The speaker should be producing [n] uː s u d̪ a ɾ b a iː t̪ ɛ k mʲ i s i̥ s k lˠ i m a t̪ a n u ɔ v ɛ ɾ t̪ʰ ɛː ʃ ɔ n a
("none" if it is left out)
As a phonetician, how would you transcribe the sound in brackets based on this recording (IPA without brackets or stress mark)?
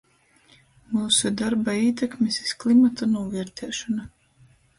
m